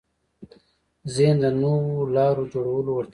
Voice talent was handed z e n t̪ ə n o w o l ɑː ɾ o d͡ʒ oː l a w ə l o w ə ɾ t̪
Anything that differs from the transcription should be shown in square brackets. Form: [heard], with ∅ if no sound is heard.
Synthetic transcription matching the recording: z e n [d̪] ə n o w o l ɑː ɾ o d͡ʒ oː [ɽ] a w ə l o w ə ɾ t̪